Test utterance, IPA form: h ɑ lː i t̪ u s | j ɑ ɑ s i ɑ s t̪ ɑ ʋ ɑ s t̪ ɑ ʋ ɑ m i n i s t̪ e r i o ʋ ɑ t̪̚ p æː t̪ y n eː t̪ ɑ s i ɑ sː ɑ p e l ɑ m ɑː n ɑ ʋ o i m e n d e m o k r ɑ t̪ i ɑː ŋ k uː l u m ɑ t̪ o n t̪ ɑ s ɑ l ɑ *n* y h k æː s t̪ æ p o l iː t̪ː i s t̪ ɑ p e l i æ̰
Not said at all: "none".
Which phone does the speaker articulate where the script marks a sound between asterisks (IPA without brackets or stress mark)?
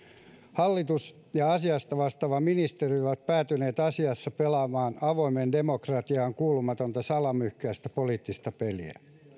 m